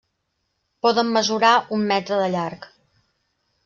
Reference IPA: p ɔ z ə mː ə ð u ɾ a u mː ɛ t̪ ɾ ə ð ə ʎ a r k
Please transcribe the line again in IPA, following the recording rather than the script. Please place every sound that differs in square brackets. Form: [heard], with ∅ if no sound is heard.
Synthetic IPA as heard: p ɔ [ð] ə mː ə [z] u ɾ a u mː ɛ t̪ ɾ ə ð ə ʎ a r k